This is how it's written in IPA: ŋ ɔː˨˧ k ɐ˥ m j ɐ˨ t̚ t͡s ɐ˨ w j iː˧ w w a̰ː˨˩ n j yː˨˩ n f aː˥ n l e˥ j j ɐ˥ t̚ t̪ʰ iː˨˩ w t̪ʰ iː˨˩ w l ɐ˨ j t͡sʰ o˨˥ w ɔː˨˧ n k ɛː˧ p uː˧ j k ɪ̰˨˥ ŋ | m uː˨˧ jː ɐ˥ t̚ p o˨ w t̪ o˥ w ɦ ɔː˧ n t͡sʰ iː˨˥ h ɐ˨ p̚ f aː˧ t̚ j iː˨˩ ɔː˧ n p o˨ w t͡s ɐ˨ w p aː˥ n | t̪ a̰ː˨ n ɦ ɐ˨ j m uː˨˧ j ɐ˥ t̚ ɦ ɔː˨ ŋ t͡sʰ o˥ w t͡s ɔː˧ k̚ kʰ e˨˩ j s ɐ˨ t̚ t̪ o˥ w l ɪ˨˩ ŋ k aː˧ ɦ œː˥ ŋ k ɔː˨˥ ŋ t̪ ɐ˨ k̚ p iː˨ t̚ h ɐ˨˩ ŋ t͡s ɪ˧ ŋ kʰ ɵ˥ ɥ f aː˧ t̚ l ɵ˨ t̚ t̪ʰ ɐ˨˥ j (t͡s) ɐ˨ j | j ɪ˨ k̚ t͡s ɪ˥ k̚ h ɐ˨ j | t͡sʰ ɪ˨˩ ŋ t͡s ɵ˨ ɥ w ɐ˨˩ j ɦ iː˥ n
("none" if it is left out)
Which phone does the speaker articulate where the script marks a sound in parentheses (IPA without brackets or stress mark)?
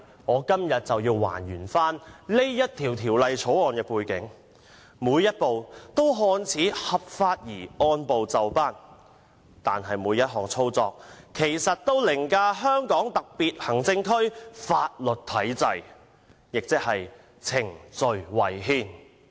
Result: t͡s